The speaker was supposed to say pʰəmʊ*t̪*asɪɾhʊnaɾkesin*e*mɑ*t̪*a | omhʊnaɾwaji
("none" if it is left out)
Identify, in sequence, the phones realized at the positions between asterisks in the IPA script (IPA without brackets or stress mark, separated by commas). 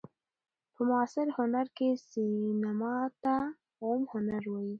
none, a, t̪